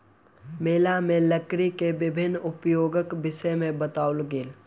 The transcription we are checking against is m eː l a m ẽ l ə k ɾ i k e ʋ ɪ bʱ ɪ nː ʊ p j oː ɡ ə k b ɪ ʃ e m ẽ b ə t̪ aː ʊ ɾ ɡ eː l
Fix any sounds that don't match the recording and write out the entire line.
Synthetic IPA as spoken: m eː l a m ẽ l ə k ɾ i k e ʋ ɪ bʱ ɪ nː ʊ p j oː ɡ ə k b ɪ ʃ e m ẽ b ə t̪ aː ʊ l ɡ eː l